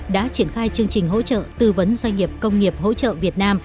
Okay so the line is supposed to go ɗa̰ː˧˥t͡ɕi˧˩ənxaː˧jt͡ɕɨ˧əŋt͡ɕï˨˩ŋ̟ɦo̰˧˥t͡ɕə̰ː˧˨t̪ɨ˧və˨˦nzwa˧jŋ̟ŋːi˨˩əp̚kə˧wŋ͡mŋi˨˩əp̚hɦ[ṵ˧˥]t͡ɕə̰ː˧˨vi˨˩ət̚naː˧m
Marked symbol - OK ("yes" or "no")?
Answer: no